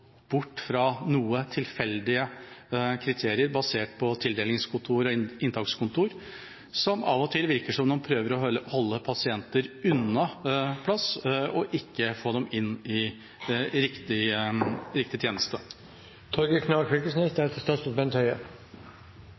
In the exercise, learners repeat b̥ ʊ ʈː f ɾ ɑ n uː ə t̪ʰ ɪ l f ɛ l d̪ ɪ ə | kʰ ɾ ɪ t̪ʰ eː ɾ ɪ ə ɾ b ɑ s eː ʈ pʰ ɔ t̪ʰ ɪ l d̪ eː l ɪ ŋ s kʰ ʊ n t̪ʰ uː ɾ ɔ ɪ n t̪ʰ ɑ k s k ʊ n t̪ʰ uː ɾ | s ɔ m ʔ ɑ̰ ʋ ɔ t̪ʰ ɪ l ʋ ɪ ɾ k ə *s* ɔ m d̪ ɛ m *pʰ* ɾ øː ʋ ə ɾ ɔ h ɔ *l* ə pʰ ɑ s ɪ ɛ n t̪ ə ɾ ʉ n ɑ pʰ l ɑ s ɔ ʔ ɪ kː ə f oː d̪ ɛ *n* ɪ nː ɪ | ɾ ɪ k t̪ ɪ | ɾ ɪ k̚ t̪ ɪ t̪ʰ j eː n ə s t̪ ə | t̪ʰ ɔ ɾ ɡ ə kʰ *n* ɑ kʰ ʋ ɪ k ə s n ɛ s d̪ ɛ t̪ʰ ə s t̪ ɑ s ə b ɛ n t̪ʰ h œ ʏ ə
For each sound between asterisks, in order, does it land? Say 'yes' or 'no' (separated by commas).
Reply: no, yes, no, no, yes